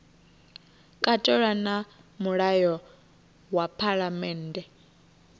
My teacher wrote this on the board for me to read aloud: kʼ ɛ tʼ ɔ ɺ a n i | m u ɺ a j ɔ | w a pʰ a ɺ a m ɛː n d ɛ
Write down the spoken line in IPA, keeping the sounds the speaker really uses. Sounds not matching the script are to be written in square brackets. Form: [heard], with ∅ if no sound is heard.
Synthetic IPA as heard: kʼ [a] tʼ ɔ ɺ a n [a] | m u ɺ a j ɔ | w a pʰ a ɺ a m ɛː n d ɛ